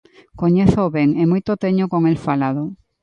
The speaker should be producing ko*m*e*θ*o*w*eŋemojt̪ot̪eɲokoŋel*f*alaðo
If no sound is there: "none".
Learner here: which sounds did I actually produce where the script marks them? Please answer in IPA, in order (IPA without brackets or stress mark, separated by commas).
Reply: ɲ, θ, β, f